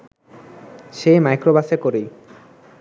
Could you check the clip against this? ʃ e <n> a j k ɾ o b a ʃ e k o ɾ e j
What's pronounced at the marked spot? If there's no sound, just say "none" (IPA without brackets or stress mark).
m